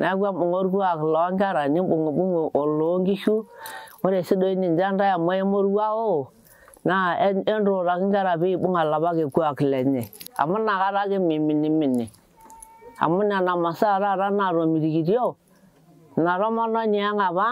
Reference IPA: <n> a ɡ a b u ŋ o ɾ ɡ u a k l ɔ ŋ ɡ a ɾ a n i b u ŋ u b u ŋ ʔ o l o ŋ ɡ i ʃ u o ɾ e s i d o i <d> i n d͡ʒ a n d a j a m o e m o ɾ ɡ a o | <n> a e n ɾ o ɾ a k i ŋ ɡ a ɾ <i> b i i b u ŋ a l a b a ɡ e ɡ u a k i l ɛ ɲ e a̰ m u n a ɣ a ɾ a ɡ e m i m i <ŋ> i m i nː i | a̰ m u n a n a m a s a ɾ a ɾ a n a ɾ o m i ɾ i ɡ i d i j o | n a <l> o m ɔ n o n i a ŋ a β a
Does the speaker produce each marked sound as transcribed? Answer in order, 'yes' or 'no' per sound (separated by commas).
yes, no, yes, no, no, no